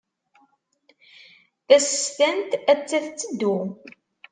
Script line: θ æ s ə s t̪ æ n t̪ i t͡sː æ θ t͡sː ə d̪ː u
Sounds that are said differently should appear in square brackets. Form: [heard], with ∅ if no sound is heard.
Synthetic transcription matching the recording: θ æ s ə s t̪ æ n t̪ [æ] t͡sː æ θ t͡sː ə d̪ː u